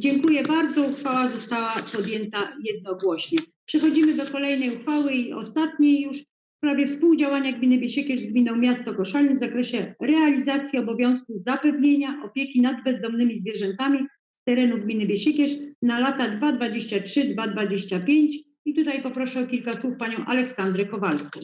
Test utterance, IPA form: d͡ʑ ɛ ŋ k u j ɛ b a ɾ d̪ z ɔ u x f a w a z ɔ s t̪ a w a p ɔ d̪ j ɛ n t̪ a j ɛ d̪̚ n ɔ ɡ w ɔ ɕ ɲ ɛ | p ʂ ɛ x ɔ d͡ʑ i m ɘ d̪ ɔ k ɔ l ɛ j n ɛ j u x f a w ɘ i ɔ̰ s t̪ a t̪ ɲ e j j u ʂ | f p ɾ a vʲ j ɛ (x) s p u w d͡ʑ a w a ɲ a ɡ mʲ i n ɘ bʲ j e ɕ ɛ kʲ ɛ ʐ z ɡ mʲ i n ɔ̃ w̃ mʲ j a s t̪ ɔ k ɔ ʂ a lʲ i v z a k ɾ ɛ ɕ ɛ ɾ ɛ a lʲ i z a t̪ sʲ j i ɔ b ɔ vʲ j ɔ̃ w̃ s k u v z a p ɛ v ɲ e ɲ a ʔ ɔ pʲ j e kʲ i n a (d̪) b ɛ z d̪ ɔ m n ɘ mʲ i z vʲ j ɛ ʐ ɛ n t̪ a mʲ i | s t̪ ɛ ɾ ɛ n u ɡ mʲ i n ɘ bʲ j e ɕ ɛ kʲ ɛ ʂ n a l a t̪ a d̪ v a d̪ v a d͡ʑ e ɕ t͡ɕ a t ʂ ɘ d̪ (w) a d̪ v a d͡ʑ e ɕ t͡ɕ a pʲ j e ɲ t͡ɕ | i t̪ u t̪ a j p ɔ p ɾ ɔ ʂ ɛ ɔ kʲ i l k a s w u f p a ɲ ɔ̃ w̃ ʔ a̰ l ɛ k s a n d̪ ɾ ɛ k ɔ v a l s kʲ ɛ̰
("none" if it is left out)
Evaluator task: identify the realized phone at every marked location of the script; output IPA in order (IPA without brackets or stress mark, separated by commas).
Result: f, d̪, v